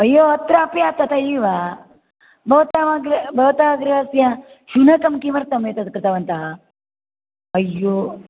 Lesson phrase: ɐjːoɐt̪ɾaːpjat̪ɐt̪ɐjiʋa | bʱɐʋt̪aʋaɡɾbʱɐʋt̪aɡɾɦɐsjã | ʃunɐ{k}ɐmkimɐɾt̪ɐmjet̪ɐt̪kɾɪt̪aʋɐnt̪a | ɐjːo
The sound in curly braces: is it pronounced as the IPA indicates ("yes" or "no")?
yes